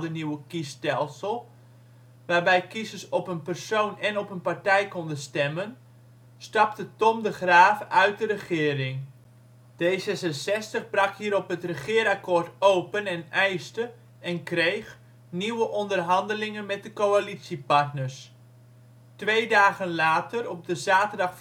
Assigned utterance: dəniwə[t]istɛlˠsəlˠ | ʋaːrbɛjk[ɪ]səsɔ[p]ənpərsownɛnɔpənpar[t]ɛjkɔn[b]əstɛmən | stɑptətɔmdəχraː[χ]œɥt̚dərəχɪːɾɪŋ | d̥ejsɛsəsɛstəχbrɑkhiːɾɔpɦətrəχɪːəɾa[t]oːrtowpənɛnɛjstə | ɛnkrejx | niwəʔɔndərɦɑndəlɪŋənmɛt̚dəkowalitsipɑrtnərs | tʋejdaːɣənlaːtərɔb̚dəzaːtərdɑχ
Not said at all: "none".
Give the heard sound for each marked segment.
k, i, p, t, d, f, k

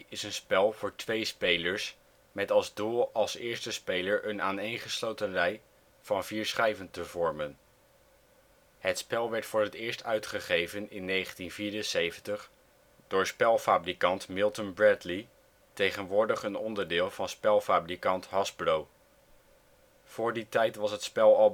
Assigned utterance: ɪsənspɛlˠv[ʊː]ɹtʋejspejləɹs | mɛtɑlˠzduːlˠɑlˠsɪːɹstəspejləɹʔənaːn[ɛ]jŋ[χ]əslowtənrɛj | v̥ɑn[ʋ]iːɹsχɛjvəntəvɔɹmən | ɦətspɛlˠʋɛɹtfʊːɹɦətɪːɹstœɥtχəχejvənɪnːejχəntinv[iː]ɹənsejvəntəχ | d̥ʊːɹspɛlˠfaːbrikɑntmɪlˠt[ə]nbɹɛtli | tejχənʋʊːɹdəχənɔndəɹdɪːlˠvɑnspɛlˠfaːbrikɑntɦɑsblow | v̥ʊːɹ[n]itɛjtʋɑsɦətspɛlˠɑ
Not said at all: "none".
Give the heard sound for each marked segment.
ʊː, e, χ, v, iː, ə, d

